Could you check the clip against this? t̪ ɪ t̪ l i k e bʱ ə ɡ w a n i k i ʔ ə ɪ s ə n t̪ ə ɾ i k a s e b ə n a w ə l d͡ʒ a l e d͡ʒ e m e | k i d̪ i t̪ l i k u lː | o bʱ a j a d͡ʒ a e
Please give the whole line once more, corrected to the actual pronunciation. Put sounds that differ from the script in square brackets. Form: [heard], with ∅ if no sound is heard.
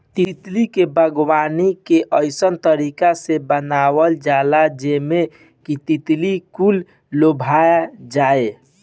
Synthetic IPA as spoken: t̪ [i] t̪ l i k e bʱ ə ɡ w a n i k [e] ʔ ə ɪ s ə n t̪ ə ɾ i k a s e b ə n a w ə l d͡ʒ a l [a] d͡ʒ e m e | k i [t̪] i t̪ l i k u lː | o bʱ a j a d͡ʒ a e